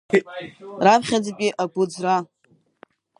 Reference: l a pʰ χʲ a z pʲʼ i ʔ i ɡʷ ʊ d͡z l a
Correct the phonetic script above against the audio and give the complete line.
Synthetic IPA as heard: r a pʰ χʲ a d͡z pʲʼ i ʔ a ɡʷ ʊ d͡z r a